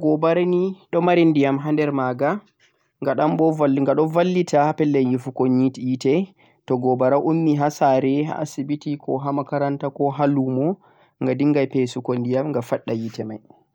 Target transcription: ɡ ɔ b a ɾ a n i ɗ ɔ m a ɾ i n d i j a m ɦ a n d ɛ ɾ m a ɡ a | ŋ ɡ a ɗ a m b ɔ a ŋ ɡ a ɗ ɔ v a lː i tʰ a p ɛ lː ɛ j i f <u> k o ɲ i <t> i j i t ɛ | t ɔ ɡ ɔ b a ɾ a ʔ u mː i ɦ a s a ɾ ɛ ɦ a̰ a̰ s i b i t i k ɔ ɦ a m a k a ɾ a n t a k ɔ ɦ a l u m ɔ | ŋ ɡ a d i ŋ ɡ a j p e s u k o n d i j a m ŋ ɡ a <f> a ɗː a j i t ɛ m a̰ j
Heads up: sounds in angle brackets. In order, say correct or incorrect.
correct, correct, correct

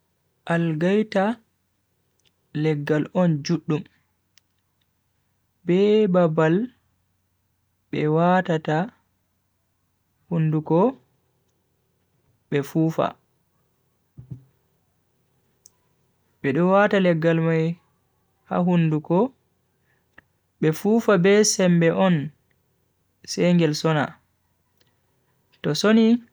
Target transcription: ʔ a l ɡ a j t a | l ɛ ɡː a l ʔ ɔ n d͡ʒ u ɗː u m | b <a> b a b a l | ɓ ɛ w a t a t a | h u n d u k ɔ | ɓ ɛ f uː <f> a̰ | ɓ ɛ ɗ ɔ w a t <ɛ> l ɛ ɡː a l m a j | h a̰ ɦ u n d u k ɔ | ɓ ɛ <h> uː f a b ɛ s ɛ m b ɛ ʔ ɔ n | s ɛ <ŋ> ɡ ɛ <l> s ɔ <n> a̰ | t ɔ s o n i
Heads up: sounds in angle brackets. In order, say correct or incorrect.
incorrect, correct, incorrect, incorrect, correct, correct, correct

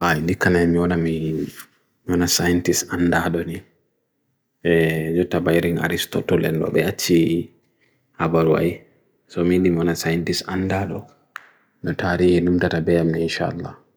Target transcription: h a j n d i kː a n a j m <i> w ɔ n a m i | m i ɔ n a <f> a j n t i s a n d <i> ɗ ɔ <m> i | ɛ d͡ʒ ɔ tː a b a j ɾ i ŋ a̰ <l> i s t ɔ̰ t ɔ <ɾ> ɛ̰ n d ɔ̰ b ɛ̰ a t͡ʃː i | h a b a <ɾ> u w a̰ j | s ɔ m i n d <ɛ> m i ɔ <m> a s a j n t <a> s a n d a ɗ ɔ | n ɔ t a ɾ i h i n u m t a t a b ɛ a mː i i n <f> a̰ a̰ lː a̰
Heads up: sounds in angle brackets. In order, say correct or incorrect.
correct, incorrect, incorrect, incorrect, incorrect, incorrect, correct, incorrect, incorrect, incorrect, incorrect

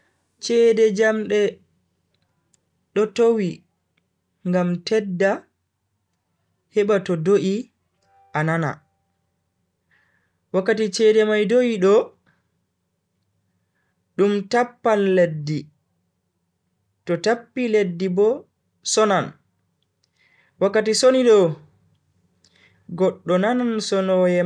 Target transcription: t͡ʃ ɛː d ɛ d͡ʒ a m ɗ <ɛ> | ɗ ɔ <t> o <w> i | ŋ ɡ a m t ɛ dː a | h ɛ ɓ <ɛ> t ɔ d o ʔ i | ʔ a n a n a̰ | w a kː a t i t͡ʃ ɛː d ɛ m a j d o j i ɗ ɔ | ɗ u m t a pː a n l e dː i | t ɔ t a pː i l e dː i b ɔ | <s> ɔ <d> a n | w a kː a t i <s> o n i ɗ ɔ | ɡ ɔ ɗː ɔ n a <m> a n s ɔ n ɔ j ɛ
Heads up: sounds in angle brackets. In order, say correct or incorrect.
correct, correct, correct, incorrect, correct, incorrect, correct, incorrect

